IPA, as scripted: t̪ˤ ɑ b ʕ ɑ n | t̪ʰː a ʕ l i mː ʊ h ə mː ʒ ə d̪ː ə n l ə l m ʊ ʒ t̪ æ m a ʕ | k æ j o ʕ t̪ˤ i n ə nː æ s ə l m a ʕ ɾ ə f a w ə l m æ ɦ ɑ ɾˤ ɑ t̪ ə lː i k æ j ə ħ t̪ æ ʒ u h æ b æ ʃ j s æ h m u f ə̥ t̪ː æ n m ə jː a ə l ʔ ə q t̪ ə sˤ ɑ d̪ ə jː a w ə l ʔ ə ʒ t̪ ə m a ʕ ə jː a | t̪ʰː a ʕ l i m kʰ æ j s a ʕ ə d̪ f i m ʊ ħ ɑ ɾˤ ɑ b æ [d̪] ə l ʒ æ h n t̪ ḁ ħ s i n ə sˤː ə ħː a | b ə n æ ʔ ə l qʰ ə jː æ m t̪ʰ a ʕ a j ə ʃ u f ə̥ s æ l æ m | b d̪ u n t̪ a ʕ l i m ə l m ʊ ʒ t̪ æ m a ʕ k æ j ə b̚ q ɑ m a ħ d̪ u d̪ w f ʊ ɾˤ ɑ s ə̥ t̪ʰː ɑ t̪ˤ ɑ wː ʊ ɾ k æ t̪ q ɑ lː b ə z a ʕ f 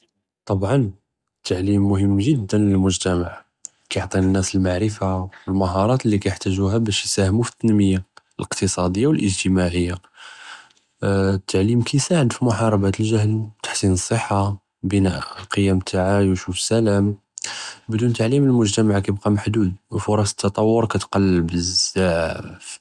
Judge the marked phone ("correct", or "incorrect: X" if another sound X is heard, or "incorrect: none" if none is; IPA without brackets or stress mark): incorrect: t̪